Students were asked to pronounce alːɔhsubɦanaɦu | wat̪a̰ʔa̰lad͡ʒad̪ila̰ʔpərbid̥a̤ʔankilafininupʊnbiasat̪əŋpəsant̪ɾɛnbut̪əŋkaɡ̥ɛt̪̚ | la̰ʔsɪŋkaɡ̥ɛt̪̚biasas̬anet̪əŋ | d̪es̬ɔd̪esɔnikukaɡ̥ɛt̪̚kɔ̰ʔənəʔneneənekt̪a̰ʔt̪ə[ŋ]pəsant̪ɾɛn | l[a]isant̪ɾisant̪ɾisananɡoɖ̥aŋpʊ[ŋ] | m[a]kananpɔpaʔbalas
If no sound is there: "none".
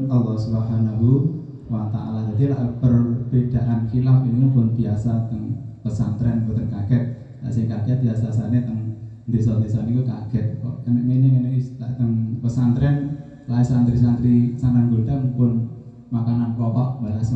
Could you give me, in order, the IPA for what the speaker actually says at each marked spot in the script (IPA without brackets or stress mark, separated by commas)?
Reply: ŋ, a, n, a